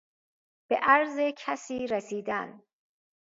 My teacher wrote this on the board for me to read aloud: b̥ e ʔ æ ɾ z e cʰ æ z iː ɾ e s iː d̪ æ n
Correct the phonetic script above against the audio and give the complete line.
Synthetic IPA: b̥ e ʔ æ ɾ z e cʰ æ s iː ɾ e s iː d̪ æ n